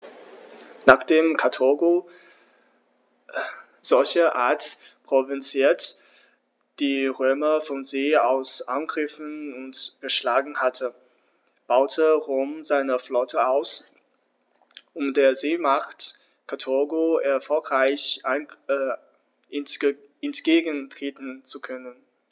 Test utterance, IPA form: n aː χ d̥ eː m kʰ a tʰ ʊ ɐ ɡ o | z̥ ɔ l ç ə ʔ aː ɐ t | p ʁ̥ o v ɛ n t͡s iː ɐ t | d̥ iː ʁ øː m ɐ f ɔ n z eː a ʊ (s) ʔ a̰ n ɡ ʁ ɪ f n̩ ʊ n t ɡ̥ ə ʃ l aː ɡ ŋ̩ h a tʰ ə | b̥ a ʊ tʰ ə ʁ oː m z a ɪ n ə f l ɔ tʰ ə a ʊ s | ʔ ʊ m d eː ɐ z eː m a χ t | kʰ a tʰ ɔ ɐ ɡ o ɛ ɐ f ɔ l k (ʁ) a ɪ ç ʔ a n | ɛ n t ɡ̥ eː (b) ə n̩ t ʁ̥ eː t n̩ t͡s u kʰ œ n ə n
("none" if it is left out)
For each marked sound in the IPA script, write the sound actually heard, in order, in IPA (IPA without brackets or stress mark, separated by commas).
s, ʁ, ɡ